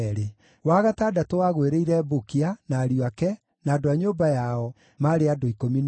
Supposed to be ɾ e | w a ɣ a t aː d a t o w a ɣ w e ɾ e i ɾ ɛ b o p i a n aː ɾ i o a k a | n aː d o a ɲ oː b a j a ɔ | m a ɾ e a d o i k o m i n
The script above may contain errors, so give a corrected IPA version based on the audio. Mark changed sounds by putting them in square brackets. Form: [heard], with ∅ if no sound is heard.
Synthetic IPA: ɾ e | w a ɣ a t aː d a t o w a ɣ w e ɾ e i ɾ ɛ b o [k] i a n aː ɾ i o a k [ɛ] | n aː d o a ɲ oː b a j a ɔ | m a ɾ e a d o i k o m i n